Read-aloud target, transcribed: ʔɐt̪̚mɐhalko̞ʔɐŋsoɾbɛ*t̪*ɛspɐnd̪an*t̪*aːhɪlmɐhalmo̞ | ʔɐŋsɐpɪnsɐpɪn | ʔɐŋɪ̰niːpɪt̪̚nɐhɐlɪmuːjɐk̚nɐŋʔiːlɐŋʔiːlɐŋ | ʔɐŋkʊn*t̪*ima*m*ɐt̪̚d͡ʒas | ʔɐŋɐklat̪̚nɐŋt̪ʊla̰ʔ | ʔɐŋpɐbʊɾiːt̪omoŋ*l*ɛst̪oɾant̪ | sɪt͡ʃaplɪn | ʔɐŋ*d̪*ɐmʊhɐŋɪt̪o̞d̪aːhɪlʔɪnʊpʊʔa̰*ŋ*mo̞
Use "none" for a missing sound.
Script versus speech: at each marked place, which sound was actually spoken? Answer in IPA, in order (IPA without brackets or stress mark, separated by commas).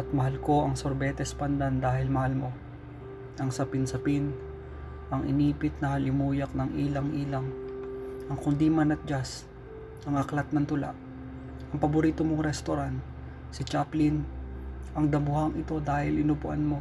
t̪, d̪, d̪, n, ɾ, d̪, n